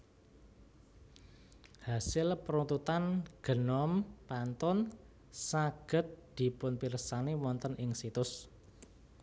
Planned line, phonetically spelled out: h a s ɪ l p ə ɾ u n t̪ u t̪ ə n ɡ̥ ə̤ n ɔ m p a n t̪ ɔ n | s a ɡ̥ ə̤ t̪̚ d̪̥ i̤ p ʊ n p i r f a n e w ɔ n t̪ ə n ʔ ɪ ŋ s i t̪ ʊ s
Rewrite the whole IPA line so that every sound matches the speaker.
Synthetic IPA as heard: h a s ɪ l p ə ɾ u n t̪ u t̪ a n ɡ̥ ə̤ n ɔ m p a n t̪ ɔ n | s a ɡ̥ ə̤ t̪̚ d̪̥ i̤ p ʊ n p i r s a n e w ɔ n t̪ ə n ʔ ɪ ŋ s i t̪ ʊ s